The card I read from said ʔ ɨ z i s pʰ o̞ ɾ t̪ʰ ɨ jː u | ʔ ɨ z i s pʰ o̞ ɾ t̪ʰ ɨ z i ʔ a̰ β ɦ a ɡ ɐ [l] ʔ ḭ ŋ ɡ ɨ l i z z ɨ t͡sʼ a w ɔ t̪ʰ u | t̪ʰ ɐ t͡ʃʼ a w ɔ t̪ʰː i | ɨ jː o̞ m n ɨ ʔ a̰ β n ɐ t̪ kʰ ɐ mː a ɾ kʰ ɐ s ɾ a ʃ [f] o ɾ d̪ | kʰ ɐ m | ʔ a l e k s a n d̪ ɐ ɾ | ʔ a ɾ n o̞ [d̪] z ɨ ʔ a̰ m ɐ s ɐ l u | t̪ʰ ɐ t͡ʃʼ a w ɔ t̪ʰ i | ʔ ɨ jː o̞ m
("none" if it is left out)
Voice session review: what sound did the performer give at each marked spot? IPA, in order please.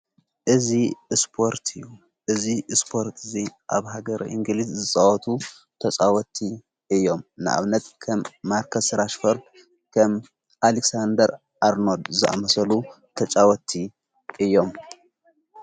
ɾ, f, d̪

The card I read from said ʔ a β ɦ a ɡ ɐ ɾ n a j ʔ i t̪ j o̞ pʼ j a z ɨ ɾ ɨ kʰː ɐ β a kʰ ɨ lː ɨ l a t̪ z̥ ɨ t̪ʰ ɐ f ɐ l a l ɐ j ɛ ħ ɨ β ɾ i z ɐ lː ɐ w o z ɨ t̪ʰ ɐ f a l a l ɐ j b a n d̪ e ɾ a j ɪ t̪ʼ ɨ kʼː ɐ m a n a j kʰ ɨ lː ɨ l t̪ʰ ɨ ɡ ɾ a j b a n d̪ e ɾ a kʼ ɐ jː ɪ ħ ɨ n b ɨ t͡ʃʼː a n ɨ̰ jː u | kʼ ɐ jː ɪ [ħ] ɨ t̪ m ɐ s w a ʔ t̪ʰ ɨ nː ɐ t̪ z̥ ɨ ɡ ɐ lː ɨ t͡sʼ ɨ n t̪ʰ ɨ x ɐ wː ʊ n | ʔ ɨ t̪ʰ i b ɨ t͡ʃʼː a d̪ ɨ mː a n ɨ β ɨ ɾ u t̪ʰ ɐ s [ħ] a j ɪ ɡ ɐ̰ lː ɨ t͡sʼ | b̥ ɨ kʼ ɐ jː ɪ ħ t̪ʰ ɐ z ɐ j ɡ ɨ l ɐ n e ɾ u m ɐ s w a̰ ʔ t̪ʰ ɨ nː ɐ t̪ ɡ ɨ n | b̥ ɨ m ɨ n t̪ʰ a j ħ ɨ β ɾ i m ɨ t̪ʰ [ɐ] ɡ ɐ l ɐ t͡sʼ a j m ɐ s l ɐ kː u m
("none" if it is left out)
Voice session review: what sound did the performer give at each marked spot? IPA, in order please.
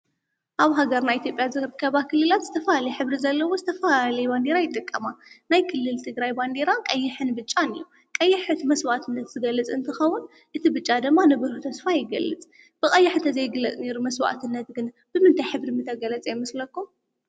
ħ, f, ɐ

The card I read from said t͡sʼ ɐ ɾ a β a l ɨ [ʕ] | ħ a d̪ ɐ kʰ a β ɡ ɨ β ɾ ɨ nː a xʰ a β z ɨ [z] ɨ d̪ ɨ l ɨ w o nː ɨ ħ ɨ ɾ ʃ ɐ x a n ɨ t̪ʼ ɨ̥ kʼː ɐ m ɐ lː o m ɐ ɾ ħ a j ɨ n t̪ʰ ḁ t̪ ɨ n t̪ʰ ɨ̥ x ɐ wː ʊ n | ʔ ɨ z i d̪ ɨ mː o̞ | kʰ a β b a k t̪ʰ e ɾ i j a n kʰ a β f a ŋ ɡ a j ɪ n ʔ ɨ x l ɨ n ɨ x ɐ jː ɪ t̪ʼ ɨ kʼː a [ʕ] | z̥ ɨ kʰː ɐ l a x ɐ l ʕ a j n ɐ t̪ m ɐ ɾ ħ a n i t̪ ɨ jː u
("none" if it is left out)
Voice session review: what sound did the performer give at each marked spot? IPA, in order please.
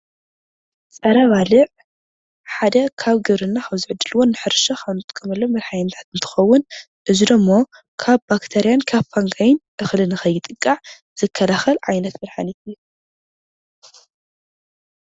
ʕ, ʕ, ʕ

